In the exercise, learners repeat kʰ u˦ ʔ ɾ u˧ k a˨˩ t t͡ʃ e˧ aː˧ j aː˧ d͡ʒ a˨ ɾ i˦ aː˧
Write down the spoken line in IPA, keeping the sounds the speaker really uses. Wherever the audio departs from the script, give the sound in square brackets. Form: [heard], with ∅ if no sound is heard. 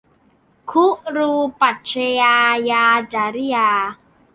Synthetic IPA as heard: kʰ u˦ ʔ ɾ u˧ [p] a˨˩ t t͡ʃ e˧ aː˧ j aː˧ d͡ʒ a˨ ɾ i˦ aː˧